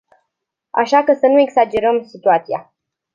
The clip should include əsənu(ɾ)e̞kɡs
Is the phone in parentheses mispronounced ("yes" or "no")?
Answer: yes